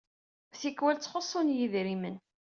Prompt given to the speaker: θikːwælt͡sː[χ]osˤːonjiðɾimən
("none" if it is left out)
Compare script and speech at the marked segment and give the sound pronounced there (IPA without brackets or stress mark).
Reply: χ